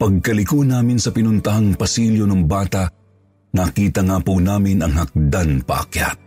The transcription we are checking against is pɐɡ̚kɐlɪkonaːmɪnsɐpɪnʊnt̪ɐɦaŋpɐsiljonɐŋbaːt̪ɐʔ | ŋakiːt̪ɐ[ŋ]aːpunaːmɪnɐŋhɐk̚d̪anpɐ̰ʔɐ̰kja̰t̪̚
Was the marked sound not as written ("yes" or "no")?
no